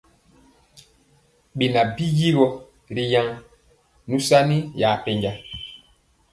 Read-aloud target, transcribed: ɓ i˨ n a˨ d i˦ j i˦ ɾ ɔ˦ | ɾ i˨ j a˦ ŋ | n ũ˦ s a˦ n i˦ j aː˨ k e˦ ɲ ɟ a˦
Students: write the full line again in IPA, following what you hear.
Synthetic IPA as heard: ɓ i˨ n a˨ b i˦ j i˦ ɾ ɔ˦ | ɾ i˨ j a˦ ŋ | n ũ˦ s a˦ n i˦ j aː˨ p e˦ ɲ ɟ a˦

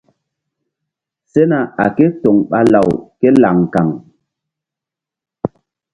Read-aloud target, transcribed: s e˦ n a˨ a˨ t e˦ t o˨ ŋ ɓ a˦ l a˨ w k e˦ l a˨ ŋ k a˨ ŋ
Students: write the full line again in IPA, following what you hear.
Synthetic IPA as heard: s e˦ n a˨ a˨ k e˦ t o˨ ŋ ɓ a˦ l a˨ w k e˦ l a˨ ŋ k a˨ ŋ

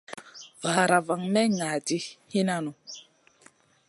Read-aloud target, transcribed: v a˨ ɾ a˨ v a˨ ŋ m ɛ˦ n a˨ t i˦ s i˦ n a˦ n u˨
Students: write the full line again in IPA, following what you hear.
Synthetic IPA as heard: v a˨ ɾ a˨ v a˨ ŋ m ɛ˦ ŋ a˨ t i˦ h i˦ n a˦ n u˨

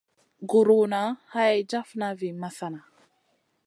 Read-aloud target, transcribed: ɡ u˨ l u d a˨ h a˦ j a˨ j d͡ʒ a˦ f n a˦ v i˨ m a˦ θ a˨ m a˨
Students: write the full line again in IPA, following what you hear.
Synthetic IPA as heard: ɡ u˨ ɾ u n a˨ h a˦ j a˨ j d͡ʒ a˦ f n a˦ v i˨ m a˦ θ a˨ n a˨

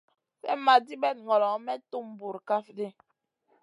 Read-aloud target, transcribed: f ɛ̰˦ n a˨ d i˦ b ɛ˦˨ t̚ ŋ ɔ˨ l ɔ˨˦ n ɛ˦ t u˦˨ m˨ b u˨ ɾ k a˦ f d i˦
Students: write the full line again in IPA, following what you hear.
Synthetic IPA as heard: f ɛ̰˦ m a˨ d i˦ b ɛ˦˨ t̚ ŋ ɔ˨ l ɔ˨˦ m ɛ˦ t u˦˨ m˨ b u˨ ɾ k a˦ f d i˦

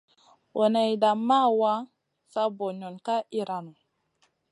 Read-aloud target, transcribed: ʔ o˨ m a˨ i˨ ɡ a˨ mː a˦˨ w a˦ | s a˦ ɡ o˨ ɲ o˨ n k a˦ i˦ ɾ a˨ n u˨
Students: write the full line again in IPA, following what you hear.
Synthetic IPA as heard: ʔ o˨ n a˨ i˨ d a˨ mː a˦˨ w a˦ | s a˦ b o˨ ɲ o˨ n k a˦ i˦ ɾ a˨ n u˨

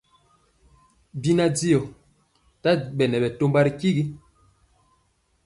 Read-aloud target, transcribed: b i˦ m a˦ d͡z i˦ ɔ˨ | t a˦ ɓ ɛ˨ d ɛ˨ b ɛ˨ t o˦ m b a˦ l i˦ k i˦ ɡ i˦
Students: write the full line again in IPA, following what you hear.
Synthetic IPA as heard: b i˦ n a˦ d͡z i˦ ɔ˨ | t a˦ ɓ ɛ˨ n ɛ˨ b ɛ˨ t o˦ m b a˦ ɾ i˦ k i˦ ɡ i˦

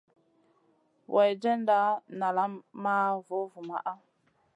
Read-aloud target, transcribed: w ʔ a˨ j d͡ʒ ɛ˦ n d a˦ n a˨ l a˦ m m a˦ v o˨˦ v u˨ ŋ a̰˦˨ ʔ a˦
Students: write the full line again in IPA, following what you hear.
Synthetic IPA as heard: w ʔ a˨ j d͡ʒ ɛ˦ n d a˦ n a˨ l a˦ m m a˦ v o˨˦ v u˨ m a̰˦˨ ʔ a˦

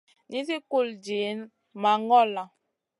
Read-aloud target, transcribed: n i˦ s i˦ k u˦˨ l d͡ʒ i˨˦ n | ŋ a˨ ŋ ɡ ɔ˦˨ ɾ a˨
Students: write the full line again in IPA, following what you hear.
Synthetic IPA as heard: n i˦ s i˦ k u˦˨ l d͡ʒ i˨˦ n | m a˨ ŋ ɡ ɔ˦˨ l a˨

